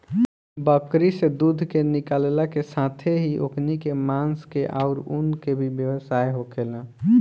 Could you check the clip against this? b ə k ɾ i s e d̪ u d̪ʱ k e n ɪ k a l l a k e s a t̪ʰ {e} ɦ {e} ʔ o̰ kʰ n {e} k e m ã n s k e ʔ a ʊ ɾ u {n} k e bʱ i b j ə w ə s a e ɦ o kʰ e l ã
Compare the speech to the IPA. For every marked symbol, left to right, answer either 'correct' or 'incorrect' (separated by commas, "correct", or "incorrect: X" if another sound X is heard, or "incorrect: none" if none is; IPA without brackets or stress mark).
correct, incorrect: i, incorrect: i, correct